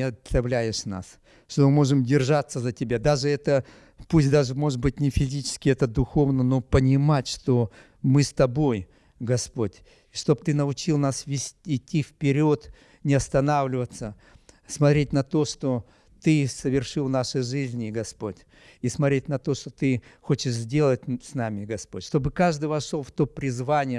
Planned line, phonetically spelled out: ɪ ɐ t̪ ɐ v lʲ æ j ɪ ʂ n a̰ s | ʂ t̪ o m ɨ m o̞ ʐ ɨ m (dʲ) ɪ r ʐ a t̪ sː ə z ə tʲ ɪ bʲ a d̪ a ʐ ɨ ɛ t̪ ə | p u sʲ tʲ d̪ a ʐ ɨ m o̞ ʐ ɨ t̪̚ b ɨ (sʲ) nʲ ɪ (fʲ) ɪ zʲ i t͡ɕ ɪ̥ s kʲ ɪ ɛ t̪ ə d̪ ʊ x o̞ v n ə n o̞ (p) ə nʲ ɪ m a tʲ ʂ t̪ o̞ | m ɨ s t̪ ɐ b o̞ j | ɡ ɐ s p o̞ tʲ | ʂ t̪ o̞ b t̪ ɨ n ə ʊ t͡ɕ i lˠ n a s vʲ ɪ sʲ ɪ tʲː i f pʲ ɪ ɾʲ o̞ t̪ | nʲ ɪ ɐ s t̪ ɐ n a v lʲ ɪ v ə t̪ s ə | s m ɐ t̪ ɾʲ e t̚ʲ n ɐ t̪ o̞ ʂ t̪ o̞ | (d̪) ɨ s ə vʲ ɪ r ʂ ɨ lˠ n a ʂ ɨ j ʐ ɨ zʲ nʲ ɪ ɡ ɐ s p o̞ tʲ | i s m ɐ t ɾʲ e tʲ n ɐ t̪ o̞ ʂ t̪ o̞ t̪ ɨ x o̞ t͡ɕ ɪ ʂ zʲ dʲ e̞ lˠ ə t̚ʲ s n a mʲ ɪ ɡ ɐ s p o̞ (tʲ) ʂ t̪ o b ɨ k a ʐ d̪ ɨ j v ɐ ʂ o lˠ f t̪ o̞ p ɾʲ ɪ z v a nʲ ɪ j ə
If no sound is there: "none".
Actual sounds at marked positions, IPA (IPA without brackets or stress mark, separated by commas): dʲ, tʲ, fʲ, p, t̪, tʲ